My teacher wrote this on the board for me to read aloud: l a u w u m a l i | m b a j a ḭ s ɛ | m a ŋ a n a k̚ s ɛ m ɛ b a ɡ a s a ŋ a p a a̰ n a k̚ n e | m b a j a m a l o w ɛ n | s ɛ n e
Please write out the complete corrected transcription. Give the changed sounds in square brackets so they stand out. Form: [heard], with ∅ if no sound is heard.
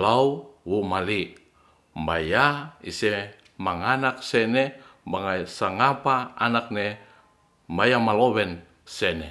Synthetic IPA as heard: l a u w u m a l i | m b a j a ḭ s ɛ | m a ŋ a n a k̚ s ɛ [n] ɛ b a [ŋ] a s a ŋ a p a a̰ n a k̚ n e | m b a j a m a l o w ɛ n | s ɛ n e